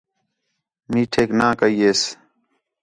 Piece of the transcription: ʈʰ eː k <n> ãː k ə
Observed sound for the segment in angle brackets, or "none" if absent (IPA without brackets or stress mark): n